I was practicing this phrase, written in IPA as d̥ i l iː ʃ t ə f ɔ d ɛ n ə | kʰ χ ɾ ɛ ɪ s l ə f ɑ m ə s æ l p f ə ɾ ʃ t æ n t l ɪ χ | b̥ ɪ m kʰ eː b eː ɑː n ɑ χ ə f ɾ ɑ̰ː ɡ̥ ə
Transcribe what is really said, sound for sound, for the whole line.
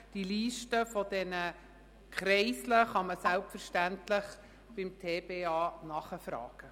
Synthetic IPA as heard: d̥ i l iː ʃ t ə f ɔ d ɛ n ə | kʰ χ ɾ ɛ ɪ s l ə χ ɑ m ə s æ l p f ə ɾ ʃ t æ n t l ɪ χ | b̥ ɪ m tʰ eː b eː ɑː n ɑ χ ə f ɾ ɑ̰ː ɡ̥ ə